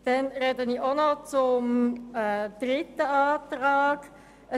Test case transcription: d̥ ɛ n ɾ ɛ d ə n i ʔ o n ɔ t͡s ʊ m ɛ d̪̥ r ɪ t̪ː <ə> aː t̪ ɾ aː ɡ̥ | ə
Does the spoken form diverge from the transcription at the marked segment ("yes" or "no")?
no